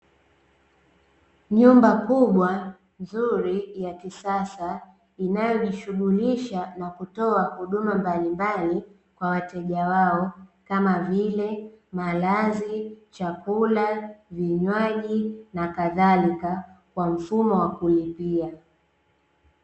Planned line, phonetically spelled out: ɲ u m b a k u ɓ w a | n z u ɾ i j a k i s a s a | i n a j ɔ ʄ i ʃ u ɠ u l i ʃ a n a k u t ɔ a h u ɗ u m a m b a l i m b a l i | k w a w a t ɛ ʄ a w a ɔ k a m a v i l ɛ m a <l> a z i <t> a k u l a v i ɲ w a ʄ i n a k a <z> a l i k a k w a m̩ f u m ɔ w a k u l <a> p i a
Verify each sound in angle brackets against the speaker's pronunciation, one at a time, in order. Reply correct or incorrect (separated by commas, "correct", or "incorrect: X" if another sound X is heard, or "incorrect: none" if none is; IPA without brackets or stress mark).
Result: correct, incorrect: t͡ʃ, incorrect: ð, incorrect: i